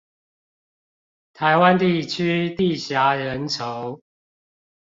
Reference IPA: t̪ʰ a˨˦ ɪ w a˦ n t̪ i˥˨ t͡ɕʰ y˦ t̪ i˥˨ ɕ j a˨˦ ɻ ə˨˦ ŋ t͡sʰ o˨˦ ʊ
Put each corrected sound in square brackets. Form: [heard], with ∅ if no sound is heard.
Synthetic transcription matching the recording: t̪ʰ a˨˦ ɪ w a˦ n t̪ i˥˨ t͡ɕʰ y˦ t̪ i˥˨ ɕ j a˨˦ ɻ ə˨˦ [n] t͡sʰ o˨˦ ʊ